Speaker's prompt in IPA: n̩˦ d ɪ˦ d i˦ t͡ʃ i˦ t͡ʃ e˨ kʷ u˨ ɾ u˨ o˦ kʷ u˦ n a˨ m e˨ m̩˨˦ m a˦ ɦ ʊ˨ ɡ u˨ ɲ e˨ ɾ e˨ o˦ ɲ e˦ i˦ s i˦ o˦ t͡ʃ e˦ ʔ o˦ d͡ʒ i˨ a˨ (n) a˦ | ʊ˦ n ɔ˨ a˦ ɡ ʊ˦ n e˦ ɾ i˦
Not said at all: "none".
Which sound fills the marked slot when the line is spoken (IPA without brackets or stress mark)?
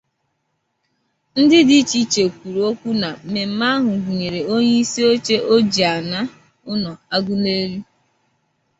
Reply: n